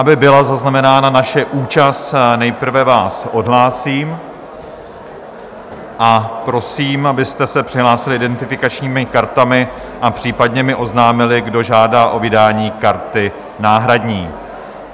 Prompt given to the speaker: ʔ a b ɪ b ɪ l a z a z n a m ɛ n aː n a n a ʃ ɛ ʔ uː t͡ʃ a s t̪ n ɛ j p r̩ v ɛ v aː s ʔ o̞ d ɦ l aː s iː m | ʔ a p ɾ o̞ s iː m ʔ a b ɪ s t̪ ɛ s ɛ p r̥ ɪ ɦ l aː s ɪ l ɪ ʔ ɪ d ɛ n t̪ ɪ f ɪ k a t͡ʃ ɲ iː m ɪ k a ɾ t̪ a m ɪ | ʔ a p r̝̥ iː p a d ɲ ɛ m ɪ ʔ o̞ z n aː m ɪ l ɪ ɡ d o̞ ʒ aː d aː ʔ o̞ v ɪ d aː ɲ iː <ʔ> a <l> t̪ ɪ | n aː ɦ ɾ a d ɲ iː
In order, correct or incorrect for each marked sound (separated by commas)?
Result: incorrect, incorrect